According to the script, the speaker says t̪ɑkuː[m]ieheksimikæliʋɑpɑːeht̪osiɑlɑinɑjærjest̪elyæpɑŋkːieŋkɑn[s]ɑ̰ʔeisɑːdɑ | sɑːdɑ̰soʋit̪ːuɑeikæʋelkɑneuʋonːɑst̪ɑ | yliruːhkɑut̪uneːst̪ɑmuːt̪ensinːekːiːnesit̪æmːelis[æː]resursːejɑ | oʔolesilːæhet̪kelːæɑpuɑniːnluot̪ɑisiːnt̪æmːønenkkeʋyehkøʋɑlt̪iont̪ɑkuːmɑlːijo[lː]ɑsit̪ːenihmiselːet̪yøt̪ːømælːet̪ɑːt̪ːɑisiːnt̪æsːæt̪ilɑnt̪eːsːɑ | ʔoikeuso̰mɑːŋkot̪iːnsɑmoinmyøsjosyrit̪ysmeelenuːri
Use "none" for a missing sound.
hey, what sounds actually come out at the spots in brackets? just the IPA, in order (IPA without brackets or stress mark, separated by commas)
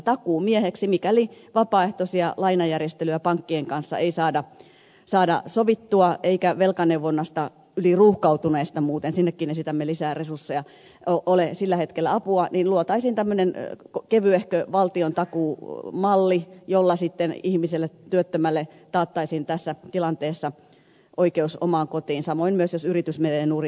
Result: m, sː, æː, lː